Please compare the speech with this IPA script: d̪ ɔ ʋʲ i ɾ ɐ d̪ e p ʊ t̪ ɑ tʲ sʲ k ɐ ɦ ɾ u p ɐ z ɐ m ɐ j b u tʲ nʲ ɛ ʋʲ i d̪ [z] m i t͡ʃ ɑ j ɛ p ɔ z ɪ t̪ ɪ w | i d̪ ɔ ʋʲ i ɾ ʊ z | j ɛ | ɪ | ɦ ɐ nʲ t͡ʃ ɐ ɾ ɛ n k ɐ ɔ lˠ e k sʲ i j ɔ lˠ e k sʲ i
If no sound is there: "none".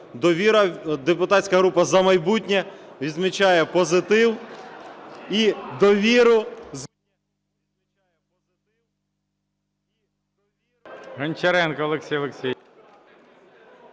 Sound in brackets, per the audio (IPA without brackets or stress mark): z